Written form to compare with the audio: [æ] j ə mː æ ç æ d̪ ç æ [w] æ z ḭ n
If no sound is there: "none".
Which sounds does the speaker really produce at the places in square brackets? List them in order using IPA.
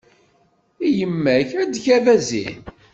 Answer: i, v

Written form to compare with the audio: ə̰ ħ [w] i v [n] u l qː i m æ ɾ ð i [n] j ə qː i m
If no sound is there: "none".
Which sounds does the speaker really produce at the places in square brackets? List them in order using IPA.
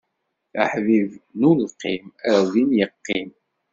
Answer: v, n, n

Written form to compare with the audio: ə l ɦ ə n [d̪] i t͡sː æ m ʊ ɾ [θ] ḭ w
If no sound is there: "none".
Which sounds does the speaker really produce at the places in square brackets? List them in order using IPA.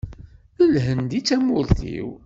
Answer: d̪, θ

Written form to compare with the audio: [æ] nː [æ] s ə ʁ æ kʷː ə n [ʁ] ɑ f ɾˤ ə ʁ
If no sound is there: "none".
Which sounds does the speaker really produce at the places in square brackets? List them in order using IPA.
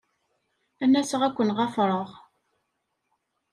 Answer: æ, æ, ʁ

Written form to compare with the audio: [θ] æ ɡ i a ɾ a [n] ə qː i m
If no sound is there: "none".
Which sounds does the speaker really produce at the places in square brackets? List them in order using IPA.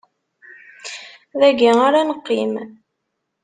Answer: ð, n

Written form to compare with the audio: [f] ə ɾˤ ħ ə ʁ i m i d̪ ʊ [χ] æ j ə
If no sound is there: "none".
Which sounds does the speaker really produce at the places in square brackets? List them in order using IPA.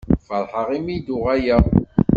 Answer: f, ʁ

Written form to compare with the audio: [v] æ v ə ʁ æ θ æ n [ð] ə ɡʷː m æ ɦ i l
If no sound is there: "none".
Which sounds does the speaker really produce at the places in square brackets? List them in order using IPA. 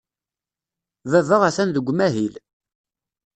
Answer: v, ð

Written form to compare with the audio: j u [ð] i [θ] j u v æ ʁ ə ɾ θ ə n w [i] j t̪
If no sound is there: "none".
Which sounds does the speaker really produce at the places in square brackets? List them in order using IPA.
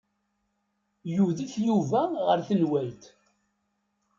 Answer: ð, θ, æ

